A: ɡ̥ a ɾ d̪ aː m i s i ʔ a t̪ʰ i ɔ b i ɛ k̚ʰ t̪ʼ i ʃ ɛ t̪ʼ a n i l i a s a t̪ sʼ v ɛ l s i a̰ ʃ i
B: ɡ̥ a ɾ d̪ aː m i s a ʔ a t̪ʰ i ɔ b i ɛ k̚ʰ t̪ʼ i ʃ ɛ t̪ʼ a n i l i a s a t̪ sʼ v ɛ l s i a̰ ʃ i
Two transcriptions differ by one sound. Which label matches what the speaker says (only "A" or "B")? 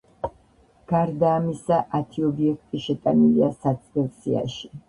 B